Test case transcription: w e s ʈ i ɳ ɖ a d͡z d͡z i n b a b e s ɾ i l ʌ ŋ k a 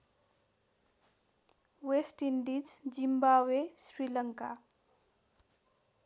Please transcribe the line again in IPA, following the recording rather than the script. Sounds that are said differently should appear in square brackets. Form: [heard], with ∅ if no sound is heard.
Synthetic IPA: w e s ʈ i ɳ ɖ [i] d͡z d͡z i [m] b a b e s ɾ i l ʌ ŋ k a